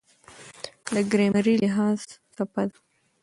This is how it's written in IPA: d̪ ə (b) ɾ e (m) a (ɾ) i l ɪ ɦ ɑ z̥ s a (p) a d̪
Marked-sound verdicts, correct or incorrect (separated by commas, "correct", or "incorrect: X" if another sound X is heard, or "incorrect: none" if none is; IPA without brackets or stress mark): incorrect: ɡ, correct, correct, correct